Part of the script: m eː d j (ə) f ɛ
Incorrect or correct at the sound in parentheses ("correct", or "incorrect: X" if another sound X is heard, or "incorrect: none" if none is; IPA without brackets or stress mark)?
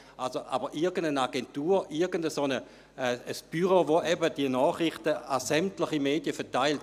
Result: correct